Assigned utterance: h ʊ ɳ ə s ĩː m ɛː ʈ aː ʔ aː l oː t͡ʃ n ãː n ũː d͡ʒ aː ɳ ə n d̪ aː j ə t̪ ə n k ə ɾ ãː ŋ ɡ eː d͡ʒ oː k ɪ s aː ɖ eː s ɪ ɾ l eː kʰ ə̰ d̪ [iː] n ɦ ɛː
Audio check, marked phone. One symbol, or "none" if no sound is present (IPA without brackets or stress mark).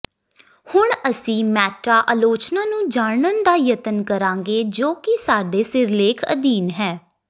iː